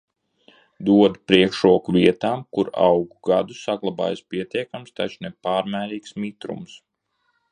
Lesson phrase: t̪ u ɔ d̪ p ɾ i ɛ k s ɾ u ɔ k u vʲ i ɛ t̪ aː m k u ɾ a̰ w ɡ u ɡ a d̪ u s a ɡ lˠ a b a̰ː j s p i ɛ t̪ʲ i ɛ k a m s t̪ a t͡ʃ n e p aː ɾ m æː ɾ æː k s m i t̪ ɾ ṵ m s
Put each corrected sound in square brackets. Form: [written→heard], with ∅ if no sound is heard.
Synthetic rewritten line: [t̪→d̪] u ɔ d̪ p ɾ i ɛ k [s→ʃ] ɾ u ɔ k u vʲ i ɛ t̪ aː m k u ɾ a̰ w ɡ u ɡ a d̪ u s a ɡ lˠ a b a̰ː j s p i ɛ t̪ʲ i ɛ k a m s t̪ a t͡ʃ n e p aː ɾ m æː ɾ [æː→iː] k s m i t̪ ɾ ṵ m s